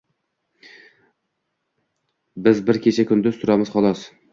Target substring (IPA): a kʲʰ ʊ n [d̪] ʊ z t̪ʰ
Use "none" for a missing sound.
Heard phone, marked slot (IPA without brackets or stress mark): d̪